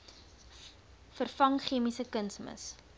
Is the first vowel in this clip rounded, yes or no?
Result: no